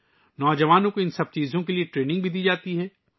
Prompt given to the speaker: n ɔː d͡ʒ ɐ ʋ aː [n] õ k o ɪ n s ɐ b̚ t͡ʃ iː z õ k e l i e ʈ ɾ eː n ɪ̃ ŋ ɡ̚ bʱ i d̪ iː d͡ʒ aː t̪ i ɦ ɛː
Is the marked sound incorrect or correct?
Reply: correct